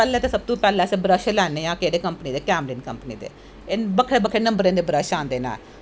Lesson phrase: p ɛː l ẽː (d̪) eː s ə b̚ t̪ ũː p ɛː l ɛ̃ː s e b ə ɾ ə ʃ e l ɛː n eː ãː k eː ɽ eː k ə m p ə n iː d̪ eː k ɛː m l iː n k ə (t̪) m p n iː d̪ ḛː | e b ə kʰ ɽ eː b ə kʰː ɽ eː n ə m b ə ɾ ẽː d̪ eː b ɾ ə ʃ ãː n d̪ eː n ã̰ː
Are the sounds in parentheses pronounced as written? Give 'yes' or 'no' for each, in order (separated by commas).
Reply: no, no